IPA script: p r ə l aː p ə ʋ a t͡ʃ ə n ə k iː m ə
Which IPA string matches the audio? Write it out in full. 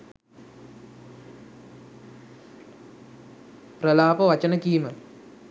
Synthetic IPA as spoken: p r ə l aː p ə ʋ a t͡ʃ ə n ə k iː m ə

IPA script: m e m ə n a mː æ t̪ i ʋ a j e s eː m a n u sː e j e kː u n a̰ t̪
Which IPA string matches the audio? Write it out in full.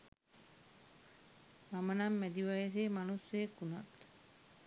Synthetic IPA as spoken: m a m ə n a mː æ d̪ i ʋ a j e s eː m a n u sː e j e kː u n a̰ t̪

